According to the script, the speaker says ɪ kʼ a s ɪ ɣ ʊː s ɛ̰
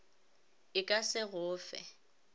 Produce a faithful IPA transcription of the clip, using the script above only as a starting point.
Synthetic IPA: ɪ kʼ a s ɪ ɣ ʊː f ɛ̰